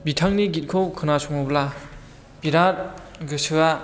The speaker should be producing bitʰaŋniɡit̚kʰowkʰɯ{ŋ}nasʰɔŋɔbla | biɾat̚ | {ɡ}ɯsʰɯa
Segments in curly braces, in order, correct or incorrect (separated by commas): incorrect, correct